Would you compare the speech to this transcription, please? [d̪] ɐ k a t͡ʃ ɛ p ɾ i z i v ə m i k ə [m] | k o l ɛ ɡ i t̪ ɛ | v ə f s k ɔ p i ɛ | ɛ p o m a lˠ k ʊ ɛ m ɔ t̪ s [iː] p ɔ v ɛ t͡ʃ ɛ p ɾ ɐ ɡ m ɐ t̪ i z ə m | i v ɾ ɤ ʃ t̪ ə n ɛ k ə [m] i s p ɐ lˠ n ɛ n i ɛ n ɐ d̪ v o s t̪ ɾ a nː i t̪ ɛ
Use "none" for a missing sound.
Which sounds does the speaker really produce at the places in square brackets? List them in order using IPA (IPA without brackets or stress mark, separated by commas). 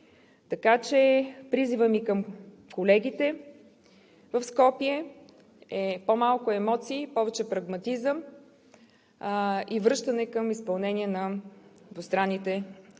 t̪, m, iː, m